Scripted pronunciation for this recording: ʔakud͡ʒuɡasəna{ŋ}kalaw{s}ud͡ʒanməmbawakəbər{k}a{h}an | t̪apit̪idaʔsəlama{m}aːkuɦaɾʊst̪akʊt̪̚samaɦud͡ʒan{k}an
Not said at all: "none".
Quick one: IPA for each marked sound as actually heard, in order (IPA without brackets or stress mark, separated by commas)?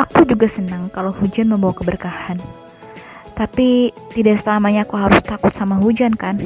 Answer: ŋ, h, k, h, ɲ, k